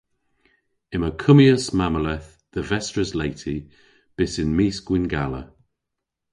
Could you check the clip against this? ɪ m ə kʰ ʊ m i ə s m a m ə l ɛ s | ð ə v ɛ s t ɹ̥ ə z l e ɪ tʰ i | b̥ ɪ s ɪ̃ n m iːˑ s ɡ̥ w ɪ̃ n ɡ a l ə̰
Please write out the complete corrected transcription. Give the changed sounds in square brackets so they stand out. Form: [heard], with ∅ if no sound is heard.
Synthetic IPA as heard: ɪ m ə kʰ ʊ m i ə s m a m ə l ɛ [θ] | ð ə v ɛ s t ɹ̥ ə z l e ɪ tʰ i | b̥ ɪ s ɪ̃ n m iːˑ s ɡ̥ w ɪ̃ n ɡ a l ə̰